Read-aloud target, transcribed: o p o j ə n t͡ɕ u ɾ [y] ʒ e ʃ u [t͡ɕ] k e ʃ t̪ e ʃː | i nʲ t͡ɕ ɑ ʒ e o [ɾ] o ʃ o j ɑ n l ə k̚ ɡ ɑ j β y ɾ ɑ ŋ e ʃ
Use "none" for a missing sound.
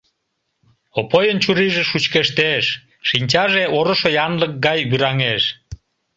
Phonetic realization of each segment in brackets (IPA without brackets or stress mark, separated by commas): i, t͡ɕ, ɾ